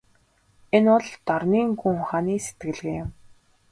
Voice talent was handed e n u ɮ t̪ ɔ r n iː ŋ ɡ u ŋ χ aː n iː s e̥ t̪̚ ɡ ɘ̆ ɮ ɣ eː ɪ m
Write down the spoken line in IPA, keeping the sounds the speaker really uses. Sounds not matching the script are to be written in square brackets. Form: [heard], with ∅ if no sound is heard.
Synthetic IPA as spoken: e n [ʊ] ɮ t̪ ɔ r n iː ŋ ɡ u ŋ χ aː n iː s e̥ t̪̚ ɡ ɘ̆ ɮ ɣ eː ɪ m